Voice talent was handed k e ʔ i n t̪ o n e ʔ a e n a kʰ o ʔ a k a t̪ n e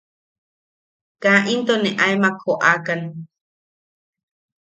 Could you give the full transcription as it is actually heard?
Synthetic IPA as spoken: k a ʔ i n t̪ o n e ʔ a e m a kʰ o ʔ a k a n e